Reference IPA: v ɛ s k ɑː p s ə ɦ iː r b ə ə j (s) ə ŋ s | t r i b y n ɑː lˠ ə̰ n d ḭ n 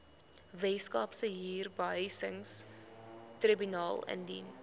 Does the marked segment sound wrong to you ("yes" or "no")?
no